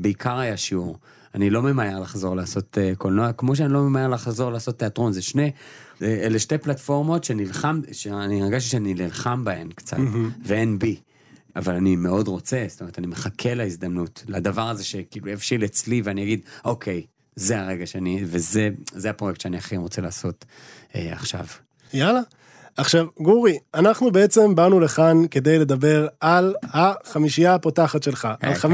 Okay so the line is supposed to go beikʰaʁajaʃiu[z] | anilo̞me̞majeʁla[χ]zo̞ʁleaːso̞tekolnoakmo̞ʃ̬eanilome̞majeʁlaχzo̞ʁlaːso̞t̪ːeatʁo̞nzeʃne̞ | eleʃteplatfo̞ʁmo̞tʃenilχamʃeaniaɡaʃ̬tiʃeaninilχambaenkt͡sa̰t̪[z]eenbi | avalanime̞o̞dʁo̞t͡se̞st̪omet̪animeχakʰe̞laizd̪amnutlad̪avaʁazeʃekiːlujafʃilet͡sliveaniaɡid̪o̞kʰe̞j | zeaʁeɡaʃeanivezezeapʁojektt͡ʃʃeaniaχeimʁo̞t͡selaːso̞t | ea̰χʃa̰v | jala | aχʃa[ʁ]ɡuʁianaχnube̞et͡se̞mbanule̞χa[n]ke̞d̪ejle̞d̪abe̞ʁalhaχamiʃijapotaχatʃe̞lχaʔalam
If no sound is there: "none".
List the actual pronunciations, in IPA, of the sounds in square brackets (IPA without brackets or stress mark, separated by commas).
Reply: ʁ, χ, v, v, n